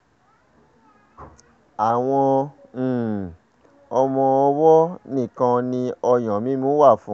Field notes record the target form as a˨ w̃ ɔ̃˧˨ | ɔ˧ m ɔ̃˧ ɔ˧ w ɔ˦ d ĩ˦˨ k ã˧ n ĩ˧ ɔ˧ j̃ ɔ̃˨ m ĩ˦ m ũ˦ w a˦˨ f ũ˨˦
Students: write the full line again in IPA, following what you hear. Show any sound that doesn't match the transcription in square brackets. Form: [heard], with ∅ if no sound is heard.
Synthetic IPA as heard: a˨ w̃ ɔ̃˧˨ | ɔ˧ m ɔ̃˧ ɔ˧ w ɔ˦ [n] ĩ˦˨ k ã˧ n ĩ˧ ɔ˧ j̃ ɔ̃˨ m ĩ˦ m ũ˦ w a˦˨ f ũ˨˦